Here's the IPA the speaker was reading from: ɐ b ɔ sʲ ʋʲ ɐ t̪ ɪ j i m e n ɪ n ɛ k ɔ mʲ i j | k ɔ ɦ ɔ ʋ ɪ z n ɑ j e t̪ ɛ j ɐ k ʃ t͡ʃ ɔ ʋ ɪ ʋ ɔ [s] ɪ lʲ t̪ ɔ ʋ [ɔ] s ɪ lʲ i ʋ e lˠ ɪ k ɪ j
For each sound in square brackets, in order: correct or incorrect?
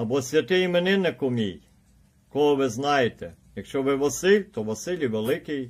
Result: correct, correct

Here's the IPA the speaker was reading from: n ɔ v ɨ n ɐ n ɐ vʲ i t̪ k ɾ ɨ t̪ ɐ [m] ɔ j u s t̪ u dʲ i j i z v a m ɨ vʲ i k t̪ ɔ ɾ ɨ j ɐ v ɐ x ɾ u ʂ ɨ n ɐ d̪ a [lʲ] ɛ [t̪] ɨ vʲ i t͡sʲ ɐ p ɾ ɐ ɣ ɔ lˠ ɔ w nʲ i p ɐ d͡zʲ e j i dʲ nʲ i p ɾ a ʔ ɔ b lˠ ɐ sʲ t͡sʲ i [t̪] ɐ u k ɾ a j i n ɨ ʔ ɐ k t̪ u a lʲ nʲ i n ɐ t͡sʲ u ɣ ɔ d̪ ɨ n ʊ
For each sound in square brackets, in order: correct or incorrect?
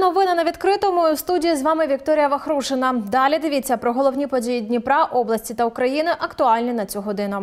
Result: correct, correct, incorrect: d̪, correct

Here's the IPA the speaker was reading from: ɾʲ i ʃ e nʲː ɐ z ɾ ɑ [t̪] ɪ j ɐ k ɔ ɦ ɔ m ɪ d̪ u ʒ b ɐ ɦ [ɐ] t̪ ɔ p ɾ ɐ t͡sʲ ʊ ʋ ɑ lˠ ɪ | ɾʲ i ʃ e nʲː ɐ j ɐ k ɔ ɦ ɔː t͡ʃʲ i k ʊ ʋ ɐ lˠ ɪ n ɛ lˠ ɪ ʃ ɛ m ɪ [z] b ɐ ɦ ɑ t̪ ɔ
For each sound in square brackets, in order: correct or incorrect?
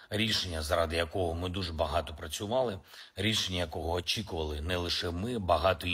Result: incorrect: d̪, incorrect: ɑ, incorrect: none

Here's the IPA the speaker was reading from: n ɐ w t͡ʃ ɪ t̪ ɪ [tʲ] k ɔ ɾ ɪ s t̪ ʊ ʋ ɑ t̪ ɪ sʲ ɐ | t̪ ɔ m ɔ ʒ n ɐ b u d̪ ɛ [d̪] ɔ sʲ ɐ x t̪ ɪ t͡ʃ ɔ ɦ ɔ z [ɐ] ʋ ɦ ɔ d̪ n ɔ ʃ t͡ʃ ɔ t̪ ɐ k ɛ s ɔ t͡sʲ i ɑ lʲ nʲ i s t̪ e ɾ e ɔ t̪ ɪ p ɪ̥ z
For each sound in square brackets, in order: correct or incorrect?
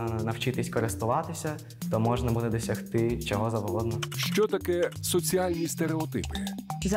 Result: incorrect: sʲ, correct, correct

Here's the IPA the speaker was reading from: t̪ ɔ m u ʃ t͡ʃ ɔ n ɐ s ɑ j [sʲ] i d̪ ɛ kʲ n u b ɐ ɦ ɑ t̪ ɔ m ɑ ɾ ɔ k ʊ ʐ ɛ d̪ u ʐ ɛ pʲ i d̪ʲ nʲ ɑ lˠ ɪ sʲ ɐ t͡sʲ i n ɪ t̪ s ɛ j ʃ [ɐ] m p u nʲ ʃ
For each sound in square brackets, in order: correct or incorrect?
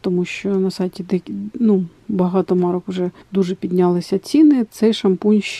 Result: incorrect: tʲ, correct

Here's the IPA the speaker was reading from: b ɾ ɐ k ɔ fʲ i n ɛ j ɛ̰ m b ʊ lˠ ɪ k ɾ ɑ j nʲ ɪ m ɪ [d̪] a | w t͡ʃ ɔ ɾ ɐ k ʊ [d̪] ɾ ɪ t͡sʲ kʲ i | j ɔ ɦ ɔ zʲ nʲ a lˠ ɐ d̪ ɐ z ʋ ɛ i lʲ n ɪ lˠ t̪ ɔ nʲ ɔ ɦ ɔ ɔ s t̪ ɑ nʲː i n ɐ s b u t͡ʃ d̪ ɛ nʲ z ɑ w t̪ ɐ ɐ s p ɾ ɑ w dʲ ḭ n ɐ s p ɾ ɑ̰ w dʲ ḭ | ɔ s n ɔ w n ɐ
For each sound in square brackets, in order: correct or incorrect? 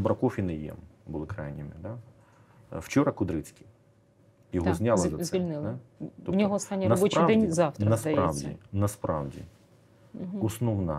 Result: correct, correct

